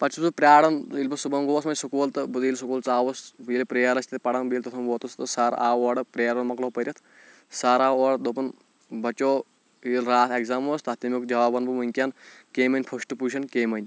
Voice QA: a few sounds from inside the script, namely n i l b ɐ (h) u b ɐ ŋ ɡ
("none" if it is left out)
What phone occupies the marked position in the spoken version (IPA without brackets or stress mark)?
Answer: s